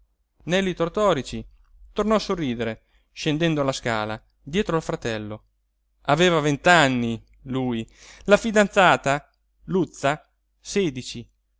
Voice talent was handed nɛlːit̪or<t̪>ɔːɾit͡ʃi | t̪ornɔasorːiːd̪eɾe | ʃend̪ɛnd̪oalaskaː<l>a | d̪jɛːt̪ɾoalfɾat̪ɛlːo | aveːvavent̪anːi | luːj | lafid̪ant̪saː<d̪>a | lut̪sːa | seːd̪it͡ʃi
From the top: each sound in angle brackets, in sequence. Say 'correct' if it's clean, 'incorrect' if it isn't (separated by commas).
correct, correct, incorrect